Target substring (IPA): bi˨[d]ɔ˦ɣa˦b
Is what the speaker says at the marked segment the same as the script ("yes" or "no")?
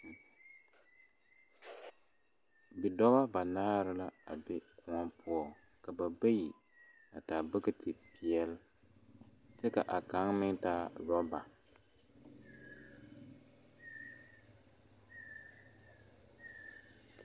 yes